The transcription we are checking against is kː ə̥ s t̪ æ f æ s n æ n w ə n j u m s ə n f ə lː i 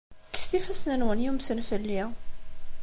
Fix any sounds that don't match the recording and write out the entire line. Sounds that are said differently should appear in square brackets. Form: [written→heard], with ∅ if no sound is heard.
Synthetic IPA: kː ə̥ s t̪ [æ→i] f æ s n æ n w ə n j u m s ə n f ə lː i